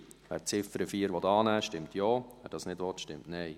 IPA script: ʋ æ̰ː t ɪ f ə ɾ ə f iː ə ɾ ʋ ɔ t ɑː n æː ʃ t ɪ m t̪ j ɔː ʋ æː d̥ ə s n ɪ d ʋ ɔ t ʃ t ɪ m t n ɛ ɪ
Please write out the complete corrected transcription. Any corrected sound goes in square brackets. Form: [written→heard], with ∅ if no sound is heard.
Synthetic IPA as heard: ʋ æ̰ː [t→t͡s] ɪ f ə ɾ ə f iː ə ɾ ʋ ɔ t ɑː n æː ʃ t ɪ m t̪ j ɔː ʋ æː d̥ [ə→ɑ] s n ɪ d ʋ ɔ t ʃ t ɪ m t n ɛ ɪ

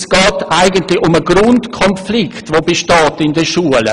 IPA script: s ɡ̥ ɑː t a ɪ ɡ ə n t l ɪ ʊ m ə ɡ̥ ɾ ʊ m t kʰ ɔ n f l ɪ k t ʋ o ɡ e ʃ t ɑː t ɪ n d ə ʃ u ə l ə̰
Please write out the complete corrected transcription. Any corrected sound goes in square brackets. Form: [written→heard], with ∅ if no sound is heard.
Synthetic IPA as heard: s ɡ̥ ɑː t a ɪ ɡ ə n t l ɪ ʊ m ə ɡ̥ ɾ ʊ [m→n] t kʰ ɔ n f l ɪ k t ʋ o [ɡ→b] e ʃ t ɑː t ɪ n d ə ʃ u ə l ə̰

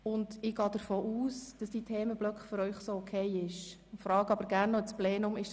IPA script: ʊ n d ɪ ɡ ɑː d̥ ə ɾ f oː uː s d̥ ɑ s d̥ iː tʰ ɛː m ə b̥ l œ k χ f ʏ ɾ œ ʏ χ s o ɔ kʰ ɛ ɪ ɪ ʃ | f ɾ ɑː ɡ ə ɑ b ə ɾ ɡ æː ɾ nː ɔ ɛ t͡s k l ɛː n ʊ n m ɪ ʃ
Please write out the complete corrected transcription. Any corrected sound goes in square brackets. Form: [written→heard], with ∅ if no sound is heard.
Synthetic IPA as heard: ʊ n d ɪ ɡ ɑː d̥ ə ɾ f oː uː s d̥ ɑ s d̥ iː tʰ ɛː m ə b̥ l œ k χ f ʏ ɾ œ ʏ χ s o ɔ kʰ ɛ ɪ ɪ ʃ | f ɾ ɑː ɡ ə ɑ b ə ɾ ɡ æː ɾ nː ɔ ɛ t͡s [k→p] l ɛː n ʊ [n→∅] m ɪ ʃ

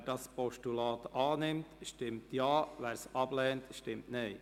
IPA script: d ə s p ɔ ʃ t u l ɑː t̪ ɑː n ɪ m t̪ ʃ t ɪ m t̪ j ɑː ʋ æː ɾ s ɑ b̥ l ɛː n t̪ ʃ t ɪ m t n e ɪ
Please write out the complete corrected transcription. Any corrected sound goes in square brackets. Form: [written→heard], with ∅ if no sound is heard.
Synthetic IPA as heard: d [ə→ɑ] s p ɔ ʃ t u l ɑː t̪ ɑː n ɪ m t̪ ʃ t ɪ m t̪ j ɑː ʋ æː ɾ s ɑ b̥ l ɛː n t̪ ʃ t ɪ m t n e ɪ

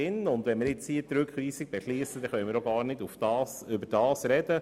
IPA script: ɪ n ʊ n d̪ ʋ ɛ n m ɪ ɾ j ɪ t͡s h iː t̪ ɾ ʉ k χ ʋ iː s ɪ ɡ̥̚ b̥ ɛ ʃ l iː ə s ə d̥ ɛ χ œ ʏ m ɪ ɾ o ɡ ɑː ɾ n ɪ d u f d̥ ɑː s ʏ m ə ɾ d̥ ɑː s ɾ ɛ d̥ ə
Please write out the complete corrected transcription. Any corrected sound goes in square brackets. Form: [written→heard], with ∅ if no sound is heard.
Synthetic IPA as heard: ɪ n ʊ n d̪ ʋ ɛ n m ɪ ɾ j ɪ t͡s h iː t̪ ɾ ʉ k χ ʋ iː s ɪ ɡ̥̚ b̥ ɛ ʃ l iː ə s ə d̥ ɛ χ œ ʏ m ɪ ɾ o ɡ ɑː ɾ n ɪ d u f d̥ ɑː s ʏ [m→b] ə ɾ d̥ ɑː s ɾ ɛ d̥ ə

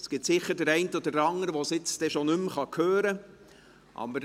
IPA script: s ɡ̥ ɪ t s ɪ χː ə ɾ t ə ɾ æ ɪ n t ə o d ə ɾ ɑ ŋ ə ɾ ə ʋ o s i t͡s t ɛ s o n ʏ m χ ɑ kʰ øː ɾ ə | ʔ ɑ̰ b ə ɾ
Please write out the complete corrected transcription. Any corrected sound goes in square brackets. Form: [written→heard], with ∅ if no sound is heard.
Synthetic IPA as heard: s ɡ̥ ɪ t s ɪ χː ə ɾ [t→d] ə ɾ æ ɪ n t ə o d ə ɾ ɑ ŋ ə ɾ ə ʋ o s [i→ɪ] t͡s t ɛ [s→ʃ] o n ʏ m χ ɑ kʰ øː ɾ ə | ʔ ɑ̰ b ə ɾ

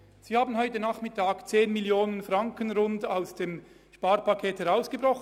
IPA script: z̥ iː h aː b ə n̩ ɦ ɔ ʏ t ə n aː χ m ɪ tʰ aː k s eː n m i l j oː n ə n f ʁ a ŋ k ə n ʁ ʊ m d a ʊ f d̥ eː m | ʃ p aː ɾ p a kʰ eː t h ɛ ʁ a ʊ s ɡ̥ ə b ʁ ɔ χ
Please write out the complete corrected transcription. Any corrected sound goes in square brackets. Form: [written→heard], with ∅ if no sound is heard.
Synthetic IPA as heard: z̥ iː h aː b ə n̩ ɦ ɔ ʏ t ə n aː χ m ɪ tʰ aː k [s→t͡s] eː n m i l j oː n ə n f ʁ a ŋ k ə n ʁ ʊ [m→n] d a ʊ [f→s] d̥ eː m | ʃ p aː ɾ p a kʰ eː t h ɛ ʁ a ʊ s ɡ̥ ə b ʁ ɔ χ

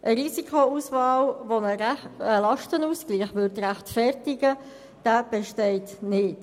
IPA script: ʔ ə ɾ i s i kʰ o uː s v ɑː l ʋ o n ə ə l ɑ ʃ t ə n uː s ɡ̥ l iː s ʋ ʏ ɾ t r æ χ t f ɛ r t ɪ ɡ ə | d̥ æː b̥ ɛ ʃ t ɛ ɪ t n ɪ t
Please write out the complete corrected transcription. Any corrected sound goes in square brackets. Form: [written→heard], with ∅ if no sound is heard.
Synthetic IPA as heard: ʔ ə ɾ i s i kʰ o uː s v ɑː l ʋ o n ə ə l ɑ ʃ t ə n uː s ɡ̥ l iː [s→χ] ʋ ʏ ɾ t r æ χ t f ɛ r t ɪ ɡ ə | d̥ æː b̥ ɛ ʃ t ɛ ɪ t n ɪ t

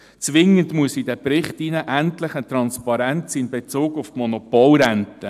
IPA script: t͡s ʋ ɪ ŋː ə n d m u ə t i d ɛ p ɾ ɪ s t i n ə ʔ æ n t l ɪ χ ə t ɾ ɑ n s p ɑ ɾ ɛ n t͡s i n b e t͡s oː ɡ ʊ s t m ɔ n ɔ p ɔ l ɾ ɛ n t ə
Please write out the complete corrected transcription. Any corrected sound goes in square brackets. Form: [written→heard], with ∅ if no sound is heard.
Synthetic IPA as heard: t͡s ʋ ɪ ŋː ə n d m u ə [t→s] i d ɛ p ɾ ɪ [s→χ] t i n ə ʔ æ n t l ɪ χ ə t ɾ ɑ n s p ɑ ɾ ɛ n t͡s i n b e t͡s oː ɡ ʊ [s→f] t m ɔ n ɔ p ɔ l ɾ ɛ n t ə

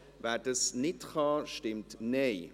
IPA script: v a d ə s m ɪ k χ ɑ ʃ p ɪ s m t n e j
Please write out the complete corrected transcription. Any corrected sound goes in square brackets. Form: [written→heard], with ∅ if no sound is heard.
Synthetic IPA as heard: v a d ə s [m→n] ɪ [k→t] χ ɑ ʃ [p→t] ɪ [s→∅] m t n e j

